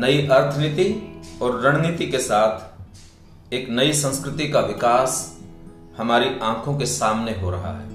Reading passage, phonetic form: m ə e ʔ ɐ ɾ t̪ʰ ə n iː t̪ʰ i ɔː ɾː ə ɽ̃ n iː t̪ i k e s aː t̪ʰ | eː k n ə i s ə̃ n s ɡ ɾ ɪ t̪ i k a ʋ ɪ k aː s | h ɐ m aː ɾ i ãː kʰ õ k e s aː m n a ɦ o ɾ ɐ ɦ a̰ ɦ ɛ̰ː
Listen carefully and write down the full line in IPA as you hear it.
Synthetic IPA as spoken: n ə i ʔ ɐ ɾ t̪ʰ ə n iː t̪ i ɔː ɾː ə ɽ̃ n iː t̪ i k e s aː t̪ʰ | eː k n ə i s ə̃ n s k ɾ ɪ t̪ i k a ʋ ɪ k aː s | h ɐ m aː ɾ i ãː kʰ õ k e s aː m n e ɦ o ɾ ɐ ɦ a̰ ɦ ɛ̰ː